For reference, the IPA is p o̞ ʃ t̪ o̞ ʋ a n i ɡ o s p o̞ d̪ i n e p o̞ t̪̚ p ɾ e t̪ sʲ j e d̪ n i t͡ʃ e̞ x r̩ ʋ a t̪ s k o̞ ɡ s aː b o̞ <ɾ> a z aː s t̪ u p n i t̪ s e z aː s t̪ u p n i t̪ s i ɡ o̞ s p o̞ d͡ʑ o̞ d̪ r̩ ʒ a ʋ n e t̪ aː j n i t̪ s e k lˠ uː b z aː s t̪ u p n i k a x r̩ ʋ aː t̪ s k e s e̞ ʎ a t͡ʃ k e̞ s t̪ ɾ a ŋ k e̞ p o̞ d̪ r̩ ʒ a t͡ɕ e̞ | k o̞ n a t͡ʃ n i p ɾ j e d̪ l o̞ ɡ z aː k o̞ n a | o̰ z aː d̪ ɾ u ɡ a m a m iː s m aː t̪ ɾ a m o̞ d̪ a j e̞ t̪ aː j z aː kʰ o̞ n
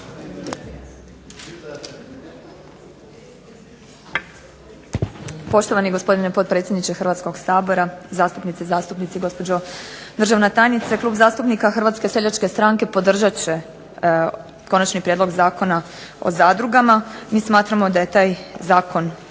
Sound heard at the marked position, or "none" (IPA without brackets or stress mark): ɾ